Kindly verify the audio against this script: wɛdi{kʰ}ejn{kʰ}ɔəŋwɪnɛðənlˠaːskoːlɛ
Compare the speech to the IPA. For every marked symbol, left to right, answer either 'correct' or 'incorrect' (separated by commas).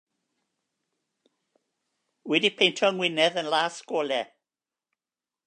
incorrect, incorrect